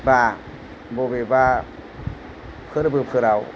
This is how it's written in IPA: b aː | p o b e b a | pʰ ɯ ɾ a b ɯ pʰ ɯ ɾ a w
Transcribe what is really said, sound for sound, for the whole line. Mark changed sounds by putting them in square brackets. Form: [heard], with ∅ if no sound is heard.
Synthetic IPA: b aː | [b] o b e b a | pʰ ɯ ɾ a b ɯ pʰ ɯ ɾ a w